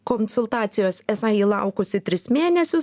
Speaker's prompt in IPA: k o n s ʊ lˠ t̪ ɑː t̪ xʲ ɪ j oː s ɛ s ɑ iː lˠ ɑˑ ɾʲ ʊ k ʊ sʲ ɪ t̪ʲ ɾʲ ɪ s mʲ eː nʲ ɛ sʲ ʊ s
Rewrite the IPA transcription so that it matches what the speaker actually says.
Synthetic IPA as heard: k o n s ʊ lˠ t̪ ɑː t̪ sʲ ɪ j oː s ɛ s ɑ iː lˠ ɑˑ ʊ k ʊ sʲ ɪ t̪ʲ ɾʲ ɪ s mʲ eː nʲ ɛ sʲ ʊ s

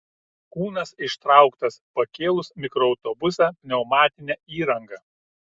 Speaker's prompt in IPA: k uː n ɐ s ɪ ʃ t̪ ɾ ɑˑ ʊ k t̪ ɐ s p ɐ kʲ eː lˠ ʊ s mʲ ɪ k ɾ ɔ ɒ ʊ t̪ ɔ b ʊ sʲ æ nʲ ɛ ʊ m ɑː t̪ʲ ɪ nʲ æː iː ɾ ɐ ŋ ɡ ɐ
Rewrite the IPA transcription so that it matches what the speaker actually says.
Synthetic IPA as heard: k uː n ɐ s ɪ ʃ t̪ ɾ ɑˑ ʊ k t̪ ɐ s p ɐ kʲ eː lˠ ʊ s mʲ ɪ k ɾ ɔ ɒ ʊ t̪ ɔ b ʊ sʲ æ nʲ ɛ ʊ m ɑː t̪ʲ ɪ nʲ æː iː ɾ ɐ ŋ ɡ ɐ

